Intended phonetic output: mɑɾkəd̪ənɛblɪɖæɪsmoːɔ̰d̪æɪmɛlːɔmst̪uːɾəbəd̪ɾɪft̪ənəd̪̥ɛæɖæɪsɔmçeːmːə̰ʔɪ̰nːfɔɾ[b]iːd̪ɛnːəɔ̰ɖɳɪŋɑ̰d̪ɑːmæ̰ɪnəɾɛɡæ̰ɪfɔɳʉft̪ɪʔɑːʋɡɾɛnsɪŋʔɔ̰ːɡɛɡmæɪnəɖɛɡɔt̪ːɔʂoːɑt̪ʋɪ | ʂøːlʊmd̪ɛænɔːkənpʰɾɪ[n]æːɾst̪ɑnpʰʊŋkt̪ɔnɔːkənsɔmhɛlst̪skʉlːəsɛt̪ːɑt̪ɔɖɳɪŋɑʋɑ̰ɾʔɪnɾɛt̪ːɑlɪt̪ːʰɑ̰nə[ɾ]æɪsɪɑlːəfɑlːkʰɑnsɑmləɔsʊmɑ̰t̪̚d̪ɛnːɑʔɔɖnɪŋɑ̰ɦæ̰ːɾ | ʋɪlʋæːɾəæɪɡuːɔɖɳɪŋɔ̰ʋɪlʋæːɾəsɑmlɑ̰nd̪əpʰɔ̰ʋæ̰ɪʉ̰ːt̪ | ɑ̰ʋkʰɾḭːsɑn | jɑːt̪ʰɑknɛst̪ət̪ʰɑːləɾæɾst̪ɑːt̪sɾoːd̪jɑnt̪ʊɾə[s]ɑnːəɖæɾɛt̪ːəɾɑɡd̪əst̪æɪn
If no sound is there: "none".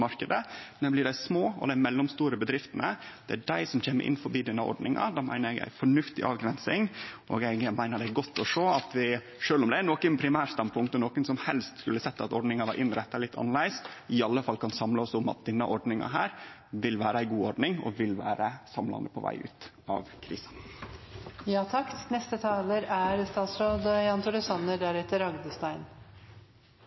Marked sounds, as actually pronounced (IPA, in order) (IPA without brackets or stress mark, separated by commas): b, m, l, s